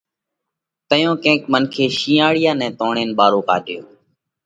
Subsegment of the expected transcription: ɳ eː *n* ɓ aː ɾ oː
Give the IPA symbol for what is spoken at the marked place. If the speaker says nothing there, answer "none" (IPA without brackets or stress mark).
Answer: n